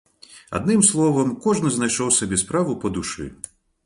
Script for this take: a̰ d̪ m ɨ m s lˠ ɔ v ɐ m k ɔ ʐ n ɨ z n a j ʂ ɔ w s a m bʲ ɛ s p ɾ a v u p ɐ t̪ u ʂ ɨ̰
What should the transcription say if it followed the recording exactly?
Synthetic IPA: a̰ d̪ n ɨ m s lˠ ɔ v ɐ m k ɔ ʐ n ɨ z n a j ʂ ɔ w s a bʲ ɛ s p ɾ a v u p ɐ d̪ u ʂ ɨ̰